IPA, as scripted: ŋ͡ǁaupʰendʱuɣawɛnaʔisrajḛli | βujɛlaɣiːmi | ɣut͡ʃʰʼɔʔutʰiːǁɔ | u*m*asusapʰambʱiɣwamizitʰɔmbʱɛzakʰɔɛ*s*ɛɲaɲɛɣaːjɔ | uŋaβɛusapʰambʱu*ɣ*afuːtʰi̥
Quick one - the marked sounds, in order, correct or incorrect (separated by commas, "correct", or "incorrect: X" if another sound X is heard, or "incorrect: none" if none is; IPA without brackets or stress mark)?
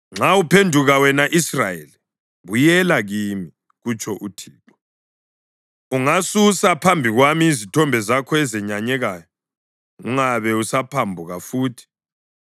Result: incorrect: ŋ, incorrect: z, correct